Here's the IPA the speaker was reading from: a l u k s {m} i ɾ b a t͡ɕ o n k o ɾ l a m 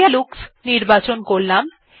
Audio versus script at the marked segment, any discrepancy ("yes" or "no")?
yes